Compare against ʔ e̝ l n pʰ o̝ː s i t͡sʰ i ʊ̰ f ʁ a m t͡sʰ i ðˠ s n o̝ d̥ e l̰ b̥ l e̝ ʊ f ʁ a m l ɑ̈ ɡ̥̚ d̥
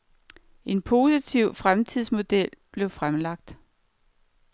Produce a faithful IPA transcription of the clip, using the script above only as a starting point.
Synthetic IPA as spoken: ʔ e̝ n pʰ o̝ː s i t͡sʰ i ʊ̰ f ʁ a m t͡sʰ i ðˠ s m o̝ d̥ e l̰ b̥ l e̝ ʊ f ʁ a m l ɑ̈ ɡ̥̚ d̥